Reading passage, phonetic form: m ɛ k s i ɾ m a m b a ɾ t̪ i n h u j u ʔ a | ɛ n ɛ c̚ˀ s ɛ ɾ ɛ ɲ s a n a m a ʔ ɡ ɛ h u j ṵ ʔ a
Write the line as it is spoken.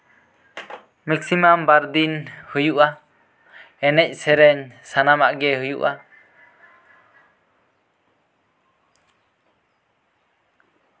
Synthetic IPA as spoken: m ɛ k s i m a m b a ɾ d̪ i n h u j u ʔ a | ɛ n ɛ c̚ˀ s ɛ ɾ ɛ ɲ s a n a m a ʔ ɡ ɛ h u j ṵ ʔ a